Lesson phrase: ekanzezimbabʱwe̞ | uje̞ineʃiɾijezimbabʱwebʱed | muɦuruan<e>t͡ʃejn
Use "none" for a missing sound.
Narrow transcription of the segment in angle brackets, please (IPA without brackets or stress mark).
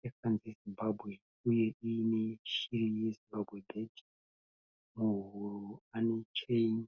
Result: e